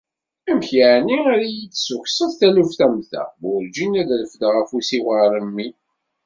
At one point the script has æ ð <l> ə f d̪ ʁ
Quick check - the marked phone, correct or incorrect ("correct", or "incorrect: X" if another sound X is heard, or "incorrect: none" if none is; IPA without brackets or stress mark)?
correct